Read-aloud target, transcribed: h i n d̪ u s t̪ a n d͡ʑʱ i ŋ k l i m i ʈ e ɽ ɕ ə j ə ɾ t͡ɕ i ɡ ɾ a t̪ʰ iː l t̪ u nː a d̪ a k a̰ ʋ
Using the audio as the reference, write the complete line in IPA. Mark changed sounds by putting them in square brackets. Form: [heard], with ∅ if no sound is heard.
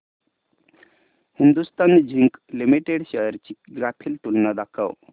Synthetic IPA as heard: h i n d̪ u s t̪ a n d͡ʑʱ i ŋ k l i m i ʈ e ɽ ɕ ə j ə ɾ t͡ɕ i ɡ ɾ a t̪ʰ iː l t̪ u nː a d̪ a [kʰ] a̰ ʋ